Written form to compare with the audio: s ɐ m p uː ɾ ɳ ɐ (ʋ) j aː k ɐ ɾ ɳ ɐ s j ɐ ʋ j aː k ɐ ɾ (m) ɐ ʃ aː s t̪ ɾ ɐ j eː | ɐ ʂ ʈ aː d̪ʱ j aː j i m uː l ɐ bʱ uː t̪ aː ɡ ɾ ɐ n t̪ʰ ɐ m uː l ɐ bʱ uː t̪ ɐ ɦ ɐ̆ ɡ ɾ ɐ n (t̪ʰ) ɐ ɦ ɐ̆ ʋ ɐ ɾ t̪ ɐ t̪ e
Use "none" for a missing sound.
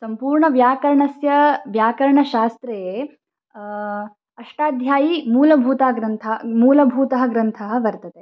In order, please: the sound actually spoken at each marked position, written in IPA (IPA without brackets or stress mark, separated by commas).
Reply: ʋ, ɳ, t̪ʰ